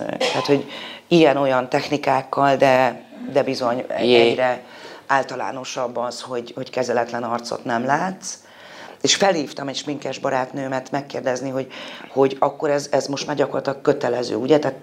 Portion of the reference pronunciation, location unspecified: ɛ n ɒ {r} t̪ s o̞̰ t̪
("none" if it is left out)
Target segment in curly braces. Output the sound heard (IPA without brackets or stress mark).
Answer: r